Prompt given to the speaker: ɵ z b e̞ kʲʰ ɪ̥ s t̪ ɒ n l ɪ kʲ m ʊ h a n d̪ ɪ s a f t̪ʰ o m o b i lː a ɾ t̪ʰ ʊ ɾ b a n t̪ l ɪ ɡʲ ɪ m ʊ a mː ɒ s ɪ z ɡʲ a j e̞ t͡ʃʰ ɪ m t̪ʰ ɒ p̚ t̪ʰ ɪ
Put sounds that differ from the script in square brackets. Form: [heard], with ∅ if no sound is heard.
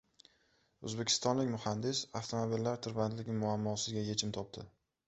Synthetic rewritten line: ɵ z b e̞ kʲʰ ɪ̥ s t̪ ɒ n l ɪ kʲ m ʊ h a n d̪ ɪ s a f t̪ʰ o m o b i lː a ɾ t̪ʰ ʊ ɾ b a n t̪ l ɪ ɡʲ ɪ m ʊ a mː ɒ s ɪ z ɡʲ a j e̞ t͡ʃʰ ɪ m t̪ʰ ɒ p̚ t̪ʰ ɪ